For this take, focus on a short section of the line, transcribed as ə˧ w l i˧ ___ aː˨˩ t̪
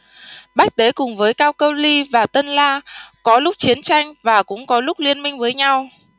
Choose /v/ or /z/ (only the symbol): v